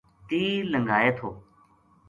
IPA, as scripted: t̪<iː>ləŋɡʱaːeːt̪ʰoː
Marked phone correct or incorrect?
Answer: correct